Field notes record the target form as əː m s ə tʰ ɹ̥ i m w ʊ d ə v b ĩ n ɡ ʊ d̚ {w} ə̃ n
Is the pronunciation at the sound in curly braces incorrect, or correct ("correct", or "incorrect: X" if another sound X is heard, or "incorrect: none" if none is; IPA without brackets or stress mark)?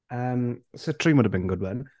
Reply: correct